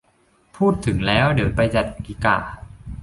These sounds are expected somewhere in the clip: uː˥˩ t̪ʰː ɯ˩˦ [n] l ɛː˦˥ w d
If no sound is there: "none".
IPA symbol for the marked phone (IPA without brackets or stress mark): ŋ